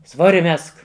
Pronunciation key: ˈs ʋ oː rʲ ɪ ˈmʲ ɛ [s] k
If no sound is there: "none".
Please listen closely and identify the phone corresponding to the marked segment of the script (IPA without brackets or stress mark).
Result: s